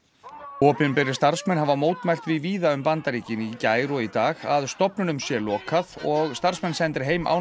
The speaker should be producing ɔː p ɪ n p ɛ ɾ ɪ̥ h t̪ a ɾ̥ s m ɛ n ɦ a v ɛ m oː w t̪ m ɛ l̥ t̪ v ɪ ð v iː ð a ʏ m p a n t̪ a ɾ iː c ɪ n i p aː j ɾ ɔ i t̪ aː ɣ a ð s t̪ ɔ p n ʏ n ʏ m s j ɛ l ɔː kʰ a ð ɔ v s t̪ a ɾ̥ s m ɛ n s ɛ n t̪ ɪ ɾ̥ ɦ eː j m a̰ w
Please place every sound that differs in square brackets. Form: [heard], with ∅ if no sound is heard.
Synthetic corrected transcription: ɔː p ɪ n p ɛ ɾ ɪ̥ [s] t̪ a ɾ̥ s m ɛ n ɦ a v [a] m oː w t̪ m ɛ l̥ t̪ v ɪ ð v iː ð a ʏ m p a n t̪ a ɾ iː c ɪ n i [c] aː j ɾ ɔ i t̪ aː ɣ a ð s t̪ ɔ p n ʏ n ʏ m s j ɛ l ɔː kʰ a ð ɔ [ɣ] s t̪ a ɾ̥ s m ɛ n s ɛ n t̪ ɪ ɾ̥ ɦ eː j m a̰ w

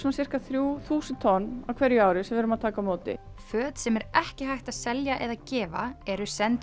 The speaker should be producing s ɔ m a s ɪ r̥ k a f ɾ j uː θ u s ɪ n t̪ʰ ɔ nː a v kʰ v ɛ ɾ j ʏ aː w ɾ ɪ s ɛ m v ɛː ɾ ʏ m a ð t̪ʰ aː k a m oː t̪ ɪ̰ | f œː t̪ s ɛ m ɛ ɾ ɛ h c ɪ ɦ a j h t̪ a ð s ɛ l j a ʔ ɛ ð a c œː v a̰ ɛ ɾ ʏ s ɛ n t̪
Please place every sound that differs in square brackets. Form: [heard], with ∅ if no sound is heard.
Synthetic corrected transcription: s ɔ [n] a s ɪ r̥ k a [θ] ɾ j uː θ [uː] s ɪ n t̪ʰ ɔ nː a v kʰ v ɛ ɾ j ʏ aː w ɾ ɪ s ɛ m v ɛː ɾ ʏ m a ð t̪ʰ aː k a m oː t̪ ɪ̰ | f œː t̪ s ɛ m ɛ ɾ ɛ h c ɪ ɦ a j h t̪ a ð s ɛ l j a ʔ ɛ ð a c [ɛː] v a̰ ɛ ɾ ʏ s ɛ n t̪

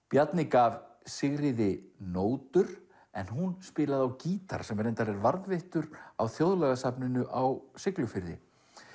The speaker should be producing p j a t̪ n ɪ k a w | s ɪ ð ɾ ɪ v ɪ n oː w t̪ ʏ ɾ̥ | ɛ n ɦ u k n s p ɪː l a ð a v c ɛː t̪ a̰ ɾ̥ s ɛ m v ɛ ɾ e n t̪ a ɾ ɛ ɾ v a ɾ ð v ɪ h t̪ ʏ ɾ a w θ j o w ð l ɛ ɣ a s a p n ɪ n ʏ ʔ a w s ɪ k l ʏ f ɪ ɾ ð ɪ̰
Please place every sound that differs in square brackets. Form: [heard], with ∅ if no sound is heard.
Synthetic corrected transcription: p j a t̪ n ɪ k a [v] | s ɪ [ɣ] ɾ ɪ [ð] ɪ n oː w t̪ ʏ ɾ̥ | ɛ n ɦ u [∅] n s p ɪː l a ð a [w] c [iː] t̪ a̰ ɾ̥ s ɛ m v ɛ ɾ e n t̪ a ɾ ɛ ɾ v a ɾ ð v ɪ h t̪ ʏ ɾ a w θ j o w ð l ɛ ɣ a s a p n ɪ n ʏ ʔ a w s ɪ k l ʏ f ɪ ɾ ð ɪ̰

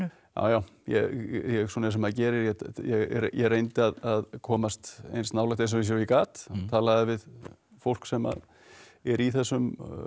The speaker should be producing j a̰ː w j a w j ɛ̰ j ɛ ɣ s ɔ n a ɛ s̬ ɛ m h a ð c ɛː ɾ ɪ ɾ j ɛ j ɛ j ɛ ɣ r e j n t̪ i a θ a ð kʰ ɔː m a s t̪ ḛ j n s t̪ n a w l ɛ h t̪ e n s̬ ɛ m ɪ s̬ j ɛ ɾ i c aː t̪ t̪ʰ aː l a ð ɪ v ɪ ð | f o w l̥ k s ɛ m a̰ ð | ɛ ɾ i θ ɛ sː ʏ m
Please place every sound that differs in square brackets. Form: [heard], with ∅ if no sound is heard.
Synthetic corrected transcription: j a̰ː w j a w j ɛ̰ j ɛ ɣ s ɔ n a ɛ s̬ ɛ m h a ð c ɛː ɾ ɪ ɾ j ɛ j ɛ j ɛ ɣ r e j n t̪ [ɪ] a [ð] a ð kʰ ɔː m a s t̪ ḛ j n s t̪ n a w l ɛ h t̪ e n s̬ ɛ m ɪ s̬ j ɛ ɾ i [k] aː t̪ t̪ʰ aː l a ð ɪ v ɪ ð | f o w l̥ k s ɛ m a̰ ð | ɛ ɾ i θ ɛ sː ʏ m

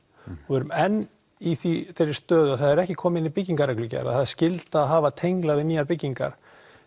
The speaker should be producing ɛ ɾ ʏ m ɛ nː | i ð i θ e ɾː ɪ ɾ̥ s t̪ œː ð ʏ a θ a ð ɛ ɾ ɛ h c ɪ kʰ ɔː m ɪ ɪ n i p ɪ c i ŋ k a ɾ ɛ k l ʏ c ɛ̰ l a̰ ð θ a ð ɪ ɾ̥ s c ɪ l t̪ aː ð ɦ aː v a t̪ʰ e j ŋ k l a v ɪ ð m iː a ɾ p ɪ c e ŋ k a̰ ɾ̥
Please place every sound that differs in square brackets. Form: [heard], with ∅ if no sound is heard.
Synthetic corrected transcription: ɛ ɾ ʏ m ɛ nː | i [θ] i θ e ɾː ɪ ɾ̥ s t̪ œː ð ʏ a θ a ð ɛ ɾ ɛ h c ɪ kʰ ɔː m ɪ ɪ n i p ɪ c i ŋ k a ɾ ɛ k l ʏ c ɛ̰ [ɾ] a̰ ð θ a ð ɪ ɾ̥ s c ɪ l t̪ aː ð ɦ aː v a t̪ʰ e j ŋ k l a v ɪ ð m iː a ɾ p ɪ c [i] ŋ k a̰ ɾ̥

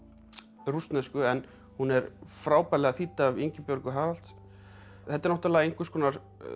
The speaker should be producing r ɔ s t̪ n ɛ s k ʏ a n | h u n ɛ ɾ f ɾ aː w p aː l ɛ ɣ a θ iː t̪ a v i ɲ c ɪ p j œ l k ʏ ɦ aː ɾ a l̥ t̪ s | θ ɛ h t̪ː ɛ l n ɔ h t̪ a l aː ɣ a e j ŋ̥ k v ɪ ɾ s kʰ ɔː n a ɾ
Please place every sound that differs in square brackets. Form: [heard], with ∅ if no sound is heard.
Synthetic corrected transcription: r [u] s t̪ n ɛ s k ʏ [ɛ] n | h u n ɛ ɾ f ɾ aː w p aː l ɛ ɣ a θ iː t̪ a v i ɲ c ɪ p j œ [ɾ] k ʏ ɦ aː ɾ a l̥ t̪ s | θ ɛ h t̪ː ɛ [ɾ] n ɔ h t̪ a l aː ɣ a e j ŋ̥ k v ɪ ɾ s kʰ ɔː n a ɾ

